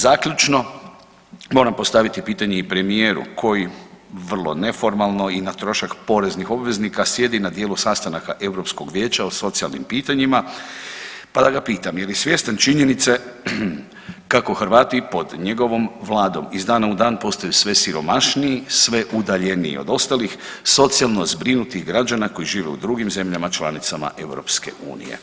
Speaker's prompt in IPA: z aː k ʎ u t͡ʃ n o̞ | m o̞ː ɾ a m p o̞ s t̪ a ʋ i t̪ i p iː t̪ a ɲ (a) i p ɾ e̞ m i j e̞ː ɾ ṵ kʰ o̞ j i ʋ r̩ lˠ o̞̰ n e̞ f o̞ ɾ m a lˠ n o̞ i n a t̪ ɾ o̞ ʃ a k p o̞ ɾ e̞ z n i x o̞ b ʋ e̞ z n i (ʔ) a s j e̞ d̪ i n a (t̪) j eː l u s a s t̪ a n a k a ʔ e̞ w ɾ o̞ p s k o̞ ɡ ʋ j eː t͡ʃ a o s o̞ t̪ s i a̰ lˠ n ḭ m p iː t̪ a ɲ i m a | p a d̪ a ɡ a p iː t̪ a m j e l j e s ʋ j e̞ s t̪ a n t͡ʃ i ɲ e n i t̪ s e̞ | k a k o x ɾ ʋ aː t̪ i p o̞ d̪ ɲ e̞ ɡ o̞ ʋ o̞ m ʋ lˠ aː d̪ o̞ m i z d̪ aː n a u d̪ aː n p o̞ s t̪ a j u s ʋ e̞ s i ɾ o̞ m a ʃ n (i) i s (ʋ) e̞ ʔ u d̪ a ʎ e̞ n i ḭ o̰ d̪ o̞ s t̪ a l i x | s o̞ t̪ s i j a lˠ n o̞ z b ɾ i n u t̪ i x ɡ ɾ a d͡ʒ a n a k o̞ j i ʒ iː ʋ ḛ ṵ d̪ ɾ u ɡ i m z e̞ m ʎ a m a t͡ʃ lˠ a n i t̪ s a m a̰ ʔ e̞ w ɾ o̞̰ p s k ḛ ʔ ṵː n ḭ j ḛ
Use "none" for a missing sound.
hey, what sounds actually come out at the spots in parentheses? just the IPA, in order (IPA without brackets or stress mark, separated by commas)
e, k, d̪, i, ʋ